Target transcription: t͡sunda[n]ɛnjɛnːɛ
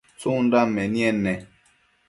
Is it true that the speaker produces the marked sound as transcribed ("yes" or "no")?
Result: no